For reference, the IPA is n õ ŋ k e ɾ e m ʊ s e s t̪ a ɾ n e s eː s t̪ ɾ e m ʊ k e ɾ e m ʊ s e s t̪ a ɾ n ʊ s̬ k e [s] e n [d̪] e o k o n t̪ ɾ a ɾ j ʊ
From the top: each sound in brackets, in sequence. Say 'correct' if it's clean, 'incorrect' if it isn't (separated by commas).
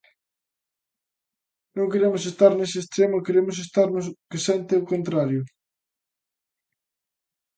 correct, incorrect